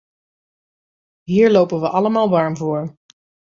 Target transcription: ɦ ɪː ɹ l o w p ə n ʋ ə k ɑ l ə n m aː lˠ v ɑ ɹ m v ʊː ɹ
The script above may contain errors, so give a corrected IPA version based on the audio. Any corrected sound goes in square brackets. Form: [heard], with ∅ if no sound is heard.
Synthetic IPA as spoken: ɦ [iː] ɹ l o w p ə n ʋ ə [ʔ] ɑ l ə [∅] m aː lˠ [ʋ] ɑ ɹ m v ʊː ɹ

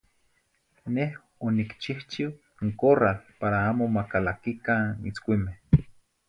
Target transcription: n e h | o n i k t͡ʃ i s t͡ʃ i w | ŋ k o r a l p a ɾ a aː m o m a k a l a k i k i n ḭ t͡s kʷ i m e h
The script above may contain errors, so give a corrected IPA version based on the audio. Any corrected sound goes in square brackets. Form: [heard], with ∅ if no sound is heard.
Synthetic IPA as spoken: n e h | o n i k t͡ʃ i [h] t͡ʃ i w | ŋ k o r a l p a ɾ a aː m o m a k a l a k i k [a] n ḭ t͡s kʷ i m e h

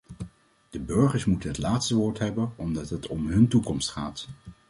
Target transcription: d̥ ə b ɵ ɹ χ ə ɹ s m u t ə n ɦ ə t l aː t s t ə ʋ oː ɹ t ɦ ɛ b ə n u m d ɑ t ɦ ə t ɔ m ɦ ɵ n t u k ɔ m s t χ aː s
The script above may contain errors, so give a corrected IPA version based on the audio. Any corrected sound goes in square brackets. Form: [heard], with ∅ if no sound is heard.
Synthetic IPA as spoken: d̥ ə b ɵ ɹ χ ə ɹ s m u t ə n ɦ ə t l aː t s t ə ʋ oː ɹ t ɦ ɛ b ə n [ɔ] m d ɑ t ɦ ə t ɔ m ɦ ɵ n t u k ɔ m s t χ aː [t]

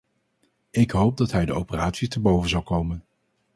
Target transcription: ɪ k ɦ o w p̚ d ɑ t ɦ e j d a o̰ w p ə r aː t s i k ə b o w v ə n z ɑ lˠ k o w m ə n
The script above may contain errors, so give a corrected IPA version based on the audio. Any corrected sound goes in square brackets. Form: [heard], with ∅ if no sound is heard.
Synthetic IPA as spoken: ɪ k ɦ o w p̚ d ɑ t ɦ [ɛ] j d [ə] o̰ w p ə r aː t s i [t] ə b o w v ə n z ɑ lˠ k o w m ə n

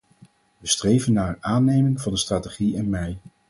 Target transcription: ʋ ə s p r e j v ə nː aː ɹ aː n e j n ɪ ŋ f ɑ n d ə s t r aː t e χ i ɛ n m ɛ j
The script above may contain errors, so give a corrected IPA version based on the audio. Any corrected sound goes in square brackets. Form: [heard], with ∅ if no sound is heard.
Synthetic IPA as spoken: ʋ ə s [t] r e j v ə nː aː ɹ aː n e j [m] ɪ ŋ [v] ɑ n d ə s t r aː t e χ i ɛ n m ɛ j

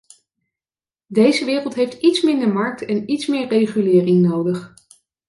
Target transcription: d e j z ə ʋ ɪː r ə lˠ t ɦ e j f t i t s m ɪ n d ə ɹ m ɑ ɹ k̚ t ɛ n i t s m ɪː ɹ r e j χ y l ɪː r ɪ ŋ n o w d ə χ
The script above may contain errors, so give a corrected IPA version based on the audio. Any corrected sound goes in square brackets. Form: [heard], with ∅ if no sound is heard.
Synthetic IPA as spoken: d e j z ə ʋ ɪː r ə lˠ t ɦ e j f t i t s m ɪ n d ə ɹ m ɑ ɹ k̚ t ɛ n i t s m ɪː ɹ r e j χ y l ɪː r ɪ ŋ n o w d ə χ

